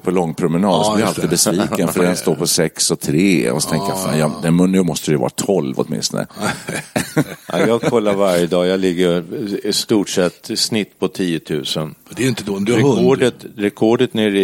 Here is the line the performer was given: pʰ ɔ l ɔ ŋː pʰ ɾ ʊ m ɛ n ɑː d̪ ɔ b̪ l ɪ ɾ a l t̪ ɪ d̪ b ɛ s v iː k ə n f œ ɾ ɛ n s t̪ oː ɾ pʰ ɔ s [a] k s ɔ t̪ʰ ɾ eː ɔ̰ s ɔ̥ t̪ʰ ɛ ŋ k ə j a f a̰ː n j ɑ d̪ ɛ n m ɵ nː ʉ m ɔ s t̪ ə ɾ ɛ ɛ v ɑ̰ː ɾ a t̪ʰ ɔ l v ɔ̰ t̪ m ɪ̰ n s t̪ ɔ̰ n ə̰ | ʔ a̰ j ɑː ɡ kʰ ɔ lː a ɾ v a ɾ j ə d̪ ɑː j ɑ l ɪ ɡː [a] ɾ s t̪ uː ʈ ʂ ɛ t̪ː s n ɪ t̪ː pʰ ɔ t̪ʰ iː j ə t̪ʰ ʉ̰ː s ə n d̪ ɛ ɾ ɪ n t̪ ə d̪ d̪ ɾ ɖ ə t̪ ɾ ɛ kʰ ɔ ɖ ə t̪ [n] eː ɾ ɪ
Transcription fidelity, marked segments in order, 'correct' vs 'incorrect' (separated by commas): incorrect, incorrect, correct